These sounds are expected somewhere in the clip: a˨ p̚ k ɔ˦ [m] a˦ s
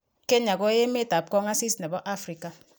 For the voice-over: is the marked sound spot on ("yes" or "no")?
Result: no